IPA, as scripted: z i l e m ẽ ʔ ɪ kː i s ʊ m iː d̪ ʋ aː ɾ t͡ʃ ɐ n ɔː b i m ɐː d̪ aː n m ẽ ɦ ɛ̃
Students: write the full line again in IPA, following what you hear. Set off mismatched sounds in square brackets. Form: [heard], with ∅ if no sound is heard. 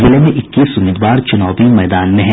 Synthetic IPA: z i l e m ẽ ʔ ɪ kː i s ʊ m iː d̪ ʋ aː ɾ t͡ʃ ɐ n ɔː b i m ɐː d̪ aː n m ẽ ɦ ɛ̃

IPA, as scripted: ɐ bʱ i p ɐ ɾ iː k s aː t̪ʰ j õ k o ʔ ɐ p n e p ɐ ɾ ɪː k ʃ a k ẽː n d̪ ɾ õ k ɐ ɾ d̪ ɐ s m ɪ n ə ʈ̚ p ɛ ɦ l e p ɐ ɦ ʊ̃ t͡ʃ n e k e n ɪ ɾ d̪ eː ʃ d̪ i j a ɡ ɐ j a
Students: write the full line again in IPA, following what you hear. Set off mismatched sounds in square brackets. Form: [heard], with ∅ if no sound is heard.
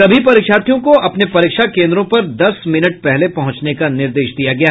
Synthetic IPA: ɐ bʱ i p ɐ ɾ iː k [ʃ] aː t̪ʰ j õ k o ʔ ɐ p n e p ɐ ɾ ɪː k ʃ a k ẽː n d̪ ɾ õ [p] ɐ ɾ d̪ ɐ s m ɪ n ə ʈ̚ p ɛ ɦ l e p ɐ ɦ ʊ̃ t͡ʃ n e k [a] n ɪ ɾ d̪ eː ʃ d̪ i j a ɡ ɐ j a

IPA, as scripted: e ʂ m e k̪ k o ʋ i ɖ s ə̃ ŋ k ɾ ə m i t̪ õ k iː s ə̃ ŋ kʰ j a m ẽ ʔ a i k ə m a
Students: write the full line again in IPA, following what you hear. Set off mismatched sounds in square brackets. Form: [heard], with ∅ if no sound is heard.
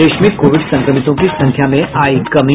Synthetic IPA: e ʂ m [i] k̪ k o ʋ i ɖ s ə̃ ŋ k ɾ ə m i t̪ õ k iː s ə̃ ŋ kʰ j a m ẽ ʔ a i k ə m [i]

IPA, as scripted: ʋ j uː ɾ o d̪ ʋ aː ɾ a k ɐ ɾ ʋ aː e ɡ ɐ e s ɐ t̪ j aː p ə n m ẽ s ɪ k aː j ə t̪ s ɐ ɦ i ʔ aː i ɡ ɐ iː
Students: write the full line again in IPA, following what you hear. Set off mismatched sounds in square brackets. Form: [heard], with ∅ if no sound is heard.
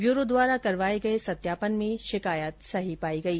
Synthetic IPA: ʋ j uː ɾ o d̪ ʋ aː ɾ a k ɐ ɾ ʋ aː e ɡ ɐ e s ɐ t̪ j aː p ə n m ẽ [ʃ] ɪ k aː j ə t̪ s ɐ ɦ i [p] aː i ɡ ɐ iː

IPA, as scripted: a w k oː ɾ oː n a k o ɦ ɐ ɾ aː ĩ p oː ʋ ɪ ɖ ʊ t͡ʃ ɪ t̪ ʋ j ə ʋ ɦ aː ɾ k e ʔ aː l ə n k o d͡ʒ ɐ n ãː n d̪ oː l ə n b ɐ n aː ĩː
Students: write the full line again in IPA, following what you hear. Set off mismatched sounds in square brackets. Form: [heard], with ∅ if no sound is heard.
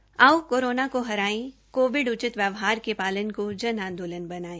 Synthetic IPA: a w k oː ɾ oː n a k o ɦ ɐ ɾ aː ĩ [k] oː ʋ ɪ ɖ ʊ t͡ʃ ɪ t̪ ʋ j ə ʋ ɦ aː ɾ k e [p] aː l ə n k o d͡ʒ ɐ n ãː n d̪ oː l ə n b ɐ n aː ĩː

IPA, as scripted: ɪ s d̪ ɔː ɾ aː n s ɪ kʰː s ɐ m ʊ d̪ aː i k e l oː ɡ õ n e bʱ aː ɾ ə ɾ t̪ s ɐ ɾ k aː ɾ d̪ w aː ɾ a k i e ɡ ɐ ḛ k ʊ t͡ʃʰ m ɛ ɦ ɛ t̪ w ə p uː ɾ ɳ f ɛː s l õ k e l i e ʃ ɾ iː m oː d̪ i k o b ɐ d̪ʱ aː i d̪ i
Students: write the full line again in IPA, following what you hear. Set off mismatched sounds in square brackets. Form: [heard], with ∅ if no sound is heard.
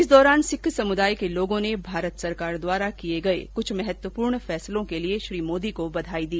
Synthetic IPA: ɪ s d̪ ɔː ɾ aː n s ɪ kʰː s ɐ m ʊ d̪ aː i k e l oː ɡ õ n e bʱ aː ɾ ə [∅] t̪ s ɐ ɾ k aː ɾ d̪ w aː ɾ a k i e ɡ ɐ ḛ k ʊ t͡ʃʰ m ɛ ɦ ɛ t̪ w ə p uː ɾ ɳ f ɛː s l õ k e l i e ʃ ɾ iː m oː d̪ i k o b ɐ d̪ʱ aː i d̪ [iː]

